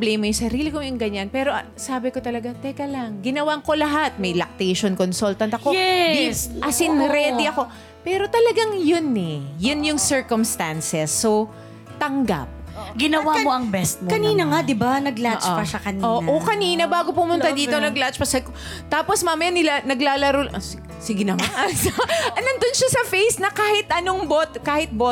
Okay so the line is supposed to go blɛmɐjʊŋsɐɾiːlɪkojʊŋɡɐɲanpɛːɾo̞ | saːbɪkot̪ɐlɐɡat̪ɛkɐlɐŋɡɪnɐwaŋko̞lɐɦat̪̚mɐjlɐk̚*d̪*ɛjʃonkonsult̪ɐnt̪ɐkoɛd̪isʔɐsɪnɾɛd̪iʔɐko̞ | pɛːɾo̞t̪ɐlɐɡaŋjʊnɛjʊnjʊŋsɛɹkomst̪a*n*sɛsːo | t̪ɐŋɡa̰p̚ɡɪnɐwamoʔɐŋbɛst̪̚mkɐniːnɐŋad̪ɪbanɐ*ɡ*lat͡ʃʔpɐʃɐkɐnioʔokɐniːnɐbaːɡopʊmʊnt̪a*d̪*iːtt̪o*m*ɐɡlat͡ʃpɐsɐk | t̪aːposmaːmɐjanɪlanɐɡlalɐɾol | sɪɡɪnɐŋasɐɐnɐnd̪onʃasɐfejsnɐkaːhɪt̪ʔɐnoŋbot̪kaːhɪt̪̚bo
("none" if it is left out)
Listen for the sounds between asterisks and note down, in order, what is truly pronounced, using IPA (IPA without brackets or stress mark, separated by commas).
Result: t̪, n, ɡ, d̪, n